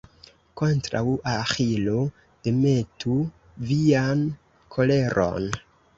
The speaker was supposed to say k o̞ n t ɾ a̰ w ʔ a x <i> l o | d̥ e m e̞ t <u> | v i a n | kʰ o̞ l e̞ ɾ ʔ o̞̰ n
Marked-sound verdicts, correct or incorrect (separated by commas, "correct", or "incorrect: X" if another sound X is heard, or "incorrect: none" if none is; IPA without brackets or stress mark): correct, correct